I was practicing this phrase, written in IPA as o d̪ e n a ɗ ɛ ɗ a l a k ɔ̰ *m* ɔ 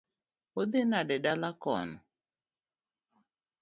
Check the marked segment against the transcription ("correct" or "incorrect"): incorrect